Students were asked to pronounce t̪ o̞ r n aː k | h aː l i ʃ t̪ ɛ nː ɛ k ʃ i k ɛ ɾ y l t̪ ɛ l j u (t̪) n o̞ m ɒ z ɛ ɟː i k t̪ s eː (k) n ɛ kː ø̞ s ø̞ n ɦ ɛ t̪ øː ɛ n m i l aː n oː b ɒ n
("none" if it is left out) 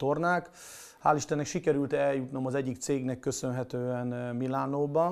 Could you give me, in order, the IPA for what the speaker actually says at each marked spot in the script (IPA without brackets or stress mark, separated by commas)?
t̪, ɡ